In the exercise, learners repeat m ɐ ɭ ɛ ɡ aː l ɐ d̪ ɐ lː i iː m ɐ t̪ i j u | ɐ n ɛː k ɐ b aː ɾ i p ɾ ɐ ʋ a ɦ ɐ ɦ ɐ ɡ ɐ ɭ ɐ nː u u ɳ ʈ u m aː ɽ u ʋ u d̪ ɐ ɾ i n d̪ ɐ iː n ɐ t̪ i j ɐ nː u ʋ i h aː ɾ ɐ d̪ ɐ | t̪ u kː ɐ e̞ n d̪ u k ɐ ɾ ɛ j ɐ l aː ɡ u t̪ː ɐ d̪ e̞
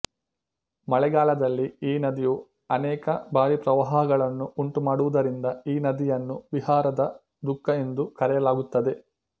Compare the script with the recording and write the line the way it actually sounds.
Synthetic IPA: m ɐ ɭ ɛ ɡ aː l ɐ d̪ ɐ lː i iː n ɐ d̪ i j u | ɐ n ɛː k ɐ b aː ɾ i p ɾ ɐ ʋ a ɦ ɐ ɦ ɐ ɡ ɐ ɭ ɐ nː u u ɳ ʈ u m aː ɽ u ʋ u d̪ ɐ ɾ i n d̪ ɐ iː n ɐ d̪ i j ɐ nː u ʋ i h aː ɾ ɐ d̪ ɐ | d̪ u kː ɐ e̞ n d̪ u k ɐ ɾ ɛ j ɐ l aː ɡ u t̪ː ɐ d̪ e̞